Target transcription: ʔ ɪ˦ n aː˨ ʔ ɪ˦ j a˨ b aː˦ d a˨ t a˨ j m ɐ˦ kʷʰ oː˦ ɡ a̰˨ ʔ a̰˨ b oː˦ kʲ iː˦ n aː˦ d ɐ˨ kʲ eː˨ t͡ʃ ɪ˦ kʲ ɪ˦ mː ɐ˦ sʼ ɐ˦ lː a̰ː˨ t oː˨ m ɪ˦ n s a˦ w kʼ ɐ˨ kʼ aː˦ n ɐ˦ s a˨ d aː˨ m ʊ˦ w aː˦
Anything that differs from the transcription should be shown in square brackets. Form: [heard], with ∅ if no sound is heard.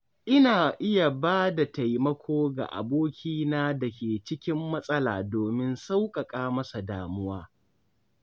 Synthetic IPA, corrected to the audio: ʔ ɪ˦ n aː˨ ʔ ɪ˦ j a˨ b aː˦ d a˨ t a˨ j m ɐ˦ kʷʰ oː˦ ɡ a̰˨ ʔ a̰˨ b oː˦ kʲ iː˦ n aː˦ d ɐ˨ kʲ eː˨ t͡ʃ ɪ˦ kʲ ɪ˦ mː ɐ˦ sʼ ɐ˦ [l] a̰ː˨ [d] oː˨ m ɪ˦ n s a˦ w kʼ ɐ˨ kʼ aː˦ [m] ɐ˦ s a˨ d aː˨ m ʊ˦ w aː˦

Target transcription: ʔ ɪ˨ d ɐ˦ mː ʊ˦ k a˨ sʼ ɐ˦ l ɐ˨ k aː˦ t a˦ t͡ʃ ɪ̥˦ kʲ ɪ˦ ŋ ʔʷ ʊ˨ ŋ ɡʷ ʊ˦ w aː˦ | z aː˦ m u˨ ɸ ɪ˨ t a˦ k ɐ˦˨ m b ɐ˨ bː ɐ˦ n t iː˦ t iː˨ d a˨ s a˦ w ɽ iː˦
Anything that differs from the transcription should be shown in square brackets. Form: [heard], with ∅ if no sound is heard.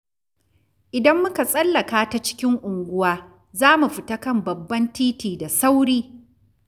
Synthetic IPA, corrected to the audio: ʔ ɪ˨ d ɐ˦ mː ʊ˦ k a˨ sʼ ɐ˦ [lː] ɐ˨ k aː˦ t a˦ t͡ʃ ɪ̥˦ kʲ ɪ˦ ŋ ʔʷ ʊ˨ ŋ ɡʷ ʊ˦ w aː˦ | z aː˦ m u˨ ɸ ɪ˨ t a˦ k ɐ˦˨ m b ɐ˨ bː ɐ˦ n t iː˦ t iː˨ d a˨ s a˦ w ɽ iː˦

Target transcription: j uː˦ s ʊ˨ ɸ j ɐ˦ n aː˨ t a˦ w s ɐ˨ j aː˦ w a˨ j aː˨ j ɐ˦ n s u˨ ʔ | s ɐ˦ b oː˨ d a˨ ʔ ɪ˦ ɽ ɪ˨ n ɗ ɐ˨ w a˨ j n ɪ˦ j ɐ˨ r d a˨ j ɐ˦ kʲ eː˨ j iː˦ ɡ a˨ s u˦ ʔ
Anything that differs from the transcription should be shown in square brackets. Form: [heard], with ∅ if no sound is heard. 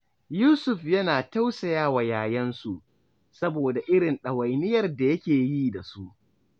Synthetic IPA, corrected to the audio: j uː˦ s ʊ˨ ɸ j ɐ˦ n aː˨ t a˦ w s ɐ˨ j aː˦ w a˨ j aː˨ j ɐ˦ n s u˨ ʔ | s ɐ˦ b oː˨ d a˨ ʔ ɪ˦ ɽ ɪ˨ n ɗ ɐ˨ w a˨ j n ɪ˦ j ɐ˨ r d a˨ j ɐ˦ kʲ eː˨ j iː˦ [d] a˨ s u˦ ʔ

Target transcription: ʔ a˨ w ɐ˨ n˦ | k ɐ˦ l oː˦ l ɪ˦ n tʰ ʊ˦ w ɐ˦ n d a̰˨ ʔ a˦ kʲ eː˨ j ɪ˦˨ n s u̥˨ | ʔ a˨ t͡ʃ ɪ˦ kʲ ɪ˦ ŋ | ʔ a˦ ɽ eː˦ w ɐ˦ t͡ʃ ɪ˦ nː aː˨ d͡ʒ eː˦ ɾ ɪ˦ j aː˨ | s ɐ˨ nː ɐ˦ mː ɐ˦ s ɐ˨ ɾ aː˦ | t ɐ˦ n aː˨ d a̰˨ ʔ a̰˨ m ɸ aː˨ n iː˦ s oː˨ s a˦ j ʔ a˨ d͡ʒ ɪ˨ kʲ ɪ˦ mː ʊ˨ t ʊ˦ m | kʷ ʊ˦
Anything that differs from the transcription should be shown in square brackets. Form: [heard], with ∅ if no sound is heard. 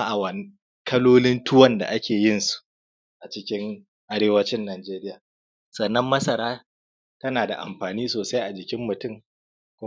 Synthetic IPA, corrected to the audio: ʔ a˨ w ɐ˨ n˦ | k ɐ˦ l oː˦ l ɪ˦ n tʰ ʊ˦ w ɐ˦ n d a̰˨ ʔ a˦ kʲ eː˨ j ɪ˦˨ n s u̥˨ | ʔ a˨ t͡ʃ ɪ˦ kʲ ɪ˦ ŋ | ʔ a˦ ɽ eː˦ w ɐ˦ t͡ʃ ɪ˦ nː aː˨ d͡ʒ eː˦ ɾ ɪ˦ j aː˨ | s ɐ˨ nː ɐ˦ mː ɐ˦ s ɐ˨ ɾ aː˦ | t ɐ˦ n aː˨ d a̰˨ ʔ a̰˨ m ɸ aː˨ n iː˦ s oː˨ s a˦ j ʔ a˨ d͡ʒ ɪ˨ kʲ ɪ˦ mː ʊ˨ t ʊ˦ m | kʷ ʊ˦

